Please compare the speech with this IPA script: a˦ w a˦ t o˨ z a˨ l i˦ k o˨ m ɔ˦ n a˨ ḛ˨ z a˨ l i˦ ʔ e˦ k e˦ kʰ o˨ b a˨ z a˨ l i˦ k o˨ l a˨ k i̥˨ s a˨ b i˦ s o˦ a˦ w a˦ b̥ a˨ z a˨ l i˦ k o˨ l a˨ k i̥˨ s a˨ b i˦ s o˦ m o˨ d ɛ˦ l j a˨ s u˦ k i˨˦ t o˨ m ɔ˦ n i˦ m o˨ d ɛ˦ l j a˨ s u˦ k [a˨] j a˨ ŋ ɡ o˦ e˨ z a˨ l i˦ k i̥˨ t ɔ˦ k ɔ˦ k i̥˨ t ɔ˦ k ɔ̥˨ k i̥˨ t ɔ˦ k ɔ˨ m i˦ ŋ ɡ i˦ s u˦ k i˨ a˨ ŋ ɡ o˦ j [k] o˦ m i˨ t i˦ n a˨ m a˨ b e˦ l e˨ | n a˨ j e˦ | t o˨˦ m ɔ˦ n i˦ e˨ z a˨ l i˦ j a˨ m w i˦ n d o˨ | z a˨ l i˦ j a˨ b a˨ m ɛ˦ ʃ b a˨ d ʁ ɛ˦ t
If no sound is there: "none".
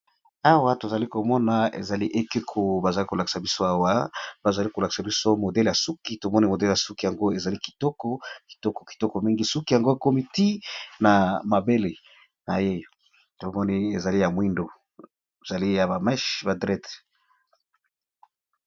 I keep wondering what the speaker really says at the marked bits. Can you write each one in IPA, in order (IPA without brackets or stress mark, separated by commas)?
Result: i˨, k